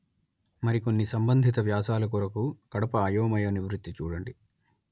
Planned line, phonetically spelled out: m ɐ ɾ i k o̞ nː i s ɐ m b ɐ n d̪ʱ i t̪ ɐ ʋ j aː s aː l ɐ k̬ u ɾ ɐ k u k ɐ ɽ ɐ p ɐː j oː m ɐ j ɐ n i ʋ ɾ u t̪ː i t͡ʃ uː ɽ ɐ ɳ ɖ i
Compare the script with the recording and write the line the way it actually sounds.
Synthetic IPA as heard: m ɐ ɾ i k o̞ nː i s ɐ m b ɐ n d̪ʱ i t̪ ɐ ʋ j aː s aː l ɐ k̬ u ɾ ɐ k u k ɐ ɽ ɐ p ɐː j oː m ɐ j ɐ n i ʋ ɾ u t̪ː i t͡ʃ uː ɽ ɐ ɳ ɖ i